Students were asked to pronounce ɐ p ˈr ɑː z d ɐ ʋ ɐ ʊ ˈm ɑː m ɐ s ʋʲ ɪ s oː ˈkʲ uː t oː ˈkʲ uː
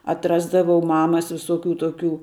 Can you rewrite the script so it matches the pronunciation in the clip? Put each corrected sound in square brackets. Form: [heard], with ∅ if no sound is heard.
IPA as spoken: ɐ [t] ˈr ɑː z d ɐ ʋ ɐ ʊ ˈm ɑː m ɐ s ʋʲ ɪ s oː ˈkʲ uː t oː ˈkʲ uː